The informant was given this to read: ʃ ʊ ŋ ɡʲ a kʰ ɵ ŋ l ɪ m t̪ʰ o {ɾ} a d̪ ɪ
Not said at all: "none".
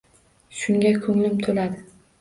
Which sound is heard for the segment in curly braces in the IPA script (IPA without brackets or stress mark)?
l